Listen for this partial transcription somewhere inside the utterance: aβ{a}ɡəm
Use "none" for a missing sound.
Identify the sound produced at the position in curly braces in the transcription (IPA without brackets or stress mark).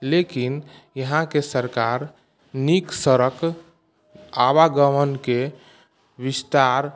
a